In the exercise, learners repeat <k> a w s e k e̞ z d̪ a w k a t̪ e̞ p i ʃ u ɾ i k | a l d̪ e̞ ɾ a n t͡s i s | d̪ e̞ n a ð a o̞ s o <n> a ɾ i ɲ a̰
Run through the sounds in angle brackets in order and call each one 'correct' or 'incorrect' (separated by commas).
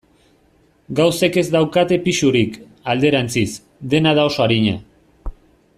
incorrect, incorrect